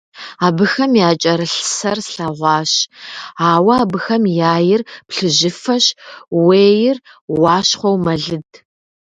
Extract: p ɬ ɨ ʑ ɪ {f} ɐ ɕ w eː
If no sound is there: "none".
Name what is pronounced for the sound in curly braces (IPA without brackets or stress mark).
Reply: f